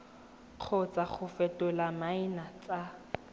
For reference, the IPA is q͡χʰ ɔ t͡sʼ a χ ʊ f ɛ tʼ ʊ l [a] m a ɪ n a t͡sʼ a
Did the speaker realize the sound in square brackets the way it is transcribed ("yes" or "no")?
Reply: yes